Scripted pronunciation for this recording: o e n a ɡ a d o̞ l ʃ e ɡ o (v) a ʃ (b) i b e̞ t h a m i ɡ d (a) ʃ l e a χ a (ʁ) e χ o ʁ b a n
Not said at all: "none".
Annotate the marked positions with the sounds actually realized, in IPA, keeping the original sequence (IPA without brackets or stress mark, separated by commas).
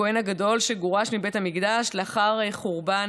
ʁ, m, a, ʁ